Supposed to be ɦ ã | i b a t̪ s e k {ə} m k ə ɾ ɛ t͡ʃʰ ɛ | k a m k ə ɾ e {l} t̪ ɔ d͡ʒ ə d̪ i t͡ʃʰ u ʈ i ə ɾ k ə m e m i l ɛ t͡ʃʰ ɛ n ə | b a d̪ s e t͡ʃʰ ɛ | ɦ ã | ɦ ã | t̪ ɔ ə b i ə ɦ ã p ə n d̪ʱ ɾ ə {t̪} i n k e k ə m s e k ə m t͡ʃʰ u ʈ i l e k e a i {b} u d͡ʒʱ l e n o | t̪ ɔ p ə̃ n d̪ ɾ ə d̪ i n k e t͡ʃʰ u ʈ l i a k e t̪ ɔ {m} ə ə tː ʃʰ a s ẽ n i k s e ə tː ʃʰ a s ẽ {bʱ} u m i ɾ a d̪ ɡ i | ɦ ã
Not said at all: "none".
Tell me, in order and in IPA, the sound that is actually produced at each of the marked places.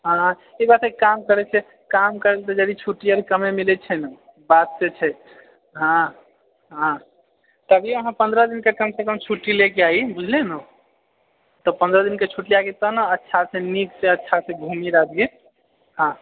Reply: a, l, d̪, b, n, ɡʱ

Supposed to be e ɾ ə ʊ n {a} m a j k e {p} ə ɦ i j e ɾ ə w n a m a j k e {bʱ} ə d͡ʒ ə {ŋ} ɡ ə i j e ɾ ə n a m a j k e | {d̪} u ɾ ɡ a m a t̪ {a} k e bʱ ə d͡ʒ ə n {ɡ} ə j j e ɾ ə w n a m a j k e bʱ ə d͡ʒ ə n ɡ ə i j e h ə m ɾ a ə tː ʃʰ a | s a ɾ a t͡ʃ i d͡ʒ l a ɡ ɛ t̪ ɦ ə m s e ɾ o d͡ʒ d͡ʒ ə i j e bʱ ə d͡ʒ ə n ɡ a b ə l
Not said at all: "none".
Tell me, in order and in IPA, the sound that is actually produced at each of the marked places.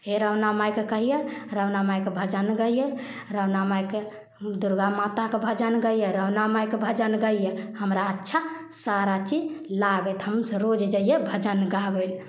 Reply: a, k, bʱ, n, d̪, a, ɡ

